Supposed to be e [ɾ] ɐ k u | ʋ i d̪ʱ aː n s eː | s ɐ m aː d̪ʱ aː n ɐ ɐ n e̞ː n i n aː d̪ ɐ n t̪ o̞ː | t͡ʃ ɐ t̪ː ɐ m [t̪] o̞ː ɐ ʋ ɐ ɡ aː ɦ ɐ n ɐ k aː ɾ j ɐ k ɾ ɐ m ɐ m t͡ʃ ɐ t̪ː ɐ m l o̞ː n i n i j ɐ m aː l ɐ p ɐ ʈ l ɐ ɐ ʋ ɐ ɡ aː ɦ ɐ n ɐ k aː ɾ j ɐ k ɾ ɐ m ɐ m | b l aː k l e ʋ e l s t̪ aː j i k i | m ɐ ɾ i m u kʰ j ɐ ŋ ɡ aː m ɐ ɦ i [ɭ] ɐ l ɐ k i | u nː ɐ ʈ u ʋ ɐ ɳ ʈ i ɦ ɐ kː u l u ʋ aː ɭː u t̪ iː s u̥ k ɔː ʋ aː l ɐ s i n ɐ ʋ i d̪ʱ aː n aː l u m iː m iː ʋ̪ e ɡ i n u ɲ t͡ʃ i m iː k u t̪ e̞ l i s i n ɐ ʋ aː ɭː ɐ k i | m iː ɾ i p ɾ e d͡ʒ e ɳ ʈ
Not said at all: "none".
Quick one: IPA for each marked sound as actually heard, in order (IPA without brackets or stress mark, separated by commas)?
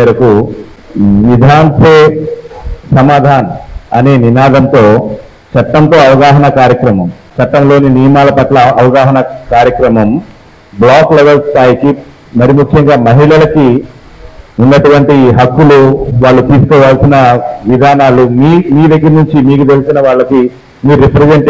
ɾ, t̪, ɭ